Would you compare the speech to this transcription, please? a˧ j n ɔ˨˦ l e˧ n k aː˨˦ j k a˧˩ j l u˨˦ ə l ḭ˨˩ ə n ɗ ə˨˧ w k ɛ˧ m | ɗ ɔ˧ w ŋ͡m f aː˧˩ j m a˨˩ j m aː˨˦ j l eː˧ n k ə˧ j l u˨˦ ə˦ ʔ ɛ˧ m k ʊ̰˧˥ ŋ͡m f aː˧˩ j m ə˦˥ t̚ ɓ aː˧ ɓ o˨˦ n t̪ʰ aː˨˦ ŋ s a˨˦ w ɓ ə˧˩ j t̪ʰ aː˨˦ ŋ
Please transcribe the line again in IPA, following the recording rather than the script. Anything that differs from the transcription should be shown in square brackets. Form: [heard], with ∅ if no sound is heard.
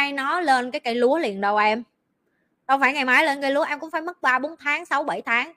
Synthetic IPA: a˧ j n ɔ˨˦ l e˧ n k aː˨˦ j k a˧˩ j l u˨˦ ə l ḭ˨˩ ə n ɗ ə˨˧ w [ʔ] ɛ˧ m | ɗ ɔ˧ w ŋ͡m f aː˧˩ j [ŋ] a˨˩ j m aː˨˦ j l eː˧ n k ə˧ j l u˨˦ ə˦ ʔ ɛ˧ m k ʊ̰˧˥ ŋ͡m f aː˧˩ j m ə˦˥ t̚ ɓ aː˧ ɓ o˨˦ n t̪ʰ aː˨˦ ŋ s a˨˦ w ɓ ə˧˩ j t̪ʰ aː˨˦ ŋ